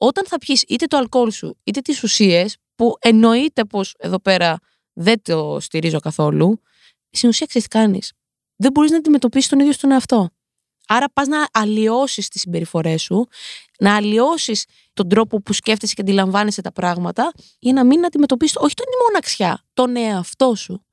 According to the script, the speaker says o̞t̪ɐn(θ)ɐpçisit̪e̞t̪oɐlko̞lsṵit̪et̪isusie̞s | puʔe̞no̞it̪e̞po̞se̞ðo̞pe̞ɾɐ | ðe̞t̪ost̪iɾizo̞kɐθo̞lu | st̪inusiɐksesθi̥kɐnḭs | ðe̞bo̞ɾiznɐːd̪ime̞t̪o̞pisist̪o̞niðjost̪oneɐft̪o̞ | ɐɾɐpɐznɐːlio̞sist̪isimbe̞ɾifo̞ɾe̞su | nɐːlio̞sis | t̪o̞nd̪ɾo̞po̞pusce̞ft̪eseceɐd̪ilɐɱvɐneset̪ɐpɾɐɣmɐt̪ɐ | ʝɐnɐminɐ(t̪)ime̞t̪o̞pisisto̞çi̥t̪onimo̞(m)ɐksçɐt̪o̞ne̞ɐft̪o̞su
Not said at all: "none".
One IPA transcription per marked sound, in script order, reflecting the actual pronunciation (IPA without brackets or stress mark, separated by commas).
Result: θ, d̪, n